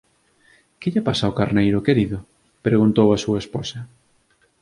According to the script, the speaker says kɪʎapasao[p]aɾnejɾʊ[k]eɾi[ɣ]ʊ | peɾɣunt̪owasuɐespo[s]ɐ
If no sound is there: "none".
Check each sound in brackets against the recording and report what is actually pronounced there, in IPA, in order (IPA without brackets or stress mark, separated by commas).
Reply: k, k, ð, s